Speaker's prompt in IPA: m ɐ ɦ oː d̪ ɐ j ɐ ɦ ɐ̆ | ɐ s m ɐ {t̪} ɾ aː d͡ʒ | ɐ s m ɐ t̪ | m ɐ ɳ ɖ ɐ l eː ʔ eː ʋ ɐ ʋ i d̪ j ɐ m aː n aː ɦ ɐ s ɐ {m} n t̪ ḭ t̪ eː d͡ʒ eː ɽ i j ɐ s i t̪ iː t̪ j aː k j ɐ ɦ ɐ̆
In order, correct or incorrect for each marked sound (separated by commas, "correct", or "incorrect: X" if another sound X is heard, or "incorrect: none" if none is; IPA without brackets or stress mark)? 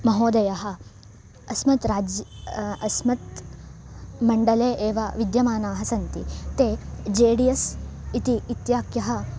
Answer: correct, incorrect: none